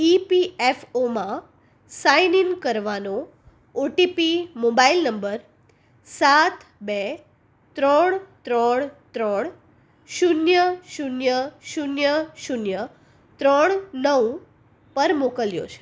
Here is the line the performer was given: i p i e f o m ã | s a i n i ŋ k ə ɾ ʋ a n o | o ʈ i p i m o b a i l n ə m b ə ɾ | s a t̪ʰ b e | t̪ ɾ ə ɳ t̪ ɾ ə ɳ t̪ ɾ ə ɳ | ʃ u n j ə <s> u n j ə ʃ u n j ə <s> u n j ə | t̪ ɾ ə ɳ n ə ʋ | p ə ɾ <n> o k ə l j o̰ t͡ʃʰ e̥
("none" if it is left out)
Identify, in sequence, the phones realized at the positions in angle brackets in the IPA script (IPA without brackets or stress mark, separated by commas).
ʃ, ʃ, m